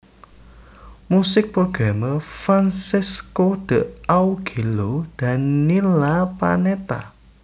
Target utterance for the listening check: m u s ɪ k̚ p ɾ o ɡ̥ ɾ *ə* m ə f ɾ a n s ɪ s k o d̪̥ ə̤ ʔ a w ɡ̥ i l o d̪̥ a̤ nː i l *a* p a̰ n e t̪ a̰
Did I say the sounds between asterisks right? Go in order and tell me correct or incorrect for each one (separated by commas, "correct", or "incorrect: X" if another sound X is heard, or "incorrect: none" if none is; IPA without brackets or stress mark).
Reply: incorrect: a, correct